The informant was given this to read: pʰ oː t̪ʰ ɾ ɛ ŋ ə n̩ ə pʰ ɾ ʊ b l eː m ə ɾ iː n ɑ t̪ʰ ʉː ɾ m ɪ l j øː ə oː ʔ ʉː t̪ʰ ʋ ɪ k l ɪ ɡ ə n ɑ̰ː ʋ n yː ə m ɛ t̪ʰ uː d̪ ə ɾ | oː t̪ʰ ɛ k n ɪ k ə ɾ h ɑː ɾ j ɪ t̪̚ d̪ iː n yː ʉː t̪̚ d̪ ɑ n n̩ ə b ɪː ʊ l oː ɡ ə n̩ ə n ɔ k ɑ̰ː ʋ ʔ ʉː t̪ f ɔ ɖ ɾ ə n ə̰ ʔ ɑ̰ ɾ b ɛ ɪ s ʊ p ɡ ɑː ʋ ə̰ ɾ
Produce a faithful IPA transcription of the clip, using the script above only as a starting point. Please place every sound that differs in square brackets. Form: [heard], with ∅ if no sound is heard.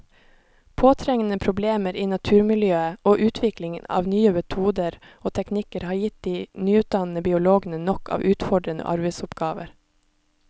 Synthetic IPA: pʰ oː t̪ʰ ɾ ɛ ŋ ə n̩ ə pʰ ɾ ʊ b l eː m ə ɾ iː n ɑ t̪ʰ ʉː ɾ m ɪ l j øː ə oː ʔ ʉː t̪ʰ ʋ ɪ k l ɪ [ŋ] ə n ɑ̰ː ʋ n yː ə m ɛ t̪ʰ uː d̪ ə ɾ | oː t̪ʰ ɛ k n ɪ k ə ɾ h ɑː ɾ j ɪ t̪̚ d̪ iː n yː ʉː t̪̚ d̪ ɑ n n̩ ə b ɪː ʊ l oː ɡ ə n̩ ə n ɔ k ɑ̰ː ʋ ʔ ʉː t̪ f ɔ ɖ ɾ ə n ə̰ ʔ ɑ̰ ɾ b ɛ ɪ s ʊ p ɡ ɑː ʋ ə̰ ɾ